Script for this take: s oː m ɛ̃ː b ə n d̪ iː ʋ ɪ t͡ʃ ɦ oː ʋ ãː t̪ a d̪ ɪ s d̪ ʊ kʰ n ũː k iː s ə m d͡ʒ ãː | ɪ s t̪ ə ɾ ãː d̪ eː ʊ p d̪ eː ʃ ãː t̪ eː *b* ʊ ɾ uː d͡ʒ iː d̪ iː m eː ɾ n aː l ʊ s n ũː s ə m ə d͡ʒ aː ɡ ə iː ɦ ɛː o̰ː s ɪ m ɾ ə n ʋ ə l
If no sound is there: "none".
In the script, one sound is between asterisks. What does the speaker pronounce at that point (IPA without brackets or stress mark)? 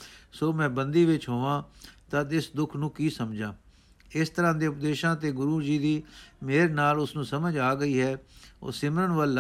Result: ɡ